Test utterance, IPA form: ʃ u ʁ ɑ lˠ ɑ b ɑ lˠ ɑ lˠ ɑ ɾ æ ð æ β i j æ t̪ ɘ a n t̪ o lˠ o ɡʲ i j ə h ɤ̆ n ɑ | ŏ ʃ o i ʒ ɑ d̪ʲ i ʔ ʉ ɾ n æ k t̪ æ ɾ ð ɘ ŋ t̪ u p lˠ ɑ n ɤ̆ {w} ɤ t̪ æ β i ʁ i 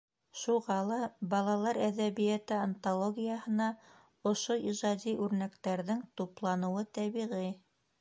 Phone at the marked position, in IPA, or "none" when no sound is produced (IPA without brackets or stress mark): w